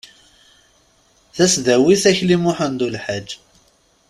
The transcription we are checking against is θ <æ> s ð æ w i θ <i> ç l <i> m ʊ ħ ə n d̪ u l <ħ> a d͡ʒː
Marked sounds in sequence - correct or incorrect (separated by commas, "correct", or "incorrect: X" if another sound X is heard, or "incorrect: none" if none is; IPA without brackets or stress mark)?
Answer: correct, incorrect: æ, correct, correct